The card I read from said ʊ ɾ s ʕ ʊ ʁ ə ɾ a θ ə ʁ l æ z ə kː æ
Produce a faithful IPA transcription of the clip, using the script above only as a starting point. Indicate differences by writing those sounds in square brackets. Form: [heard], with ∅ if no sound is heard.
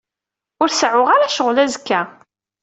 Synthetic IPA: ʊ ɾ s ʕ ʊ ʁ [a] ɾ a [ʃ] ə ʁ l æ z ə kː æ